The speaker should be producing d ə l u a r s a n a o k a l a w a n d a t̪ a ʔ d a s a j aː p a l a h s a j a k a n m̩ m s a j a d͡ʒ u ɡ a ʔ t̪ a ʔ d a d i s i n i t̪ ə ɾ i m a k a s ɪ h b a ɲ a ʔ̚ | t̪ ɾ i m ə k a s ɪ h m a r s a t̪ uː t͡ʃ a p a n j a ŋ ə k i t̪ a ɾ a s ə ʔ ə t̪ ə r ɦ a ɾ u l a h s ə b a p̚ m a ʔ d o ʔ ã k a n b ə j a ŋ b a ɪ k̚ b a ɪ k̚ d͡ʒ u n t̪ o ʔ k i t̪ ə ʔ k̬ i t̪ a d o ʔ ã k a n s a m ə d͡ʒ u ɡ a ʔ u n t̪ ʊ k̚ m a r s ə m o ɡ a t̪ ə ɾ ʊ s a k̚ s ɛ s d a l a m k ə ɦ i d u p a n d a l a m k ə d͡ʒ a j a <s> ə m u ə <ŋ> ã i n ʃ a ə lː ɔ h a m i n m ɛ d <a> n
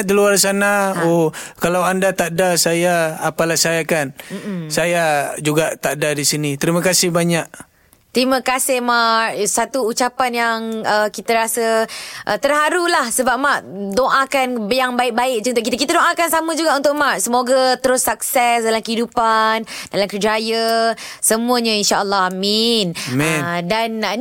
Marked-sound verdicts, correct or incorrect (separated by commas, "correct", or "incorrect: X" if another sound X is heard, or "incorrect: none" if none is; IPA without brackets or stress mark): correct, incorrect: ɲ, correct